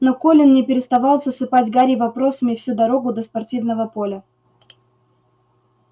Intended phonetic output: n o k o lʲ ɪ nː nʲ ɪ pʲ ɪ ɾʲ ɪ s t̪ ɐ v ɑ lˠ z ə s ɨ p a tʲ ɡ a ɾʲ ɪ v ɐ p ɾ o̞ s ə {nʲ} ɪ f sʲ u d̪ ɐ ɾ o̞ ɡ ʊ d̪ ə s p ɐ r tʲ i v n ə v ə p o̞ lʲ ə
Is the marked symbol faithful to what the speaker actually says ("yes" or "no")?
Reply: no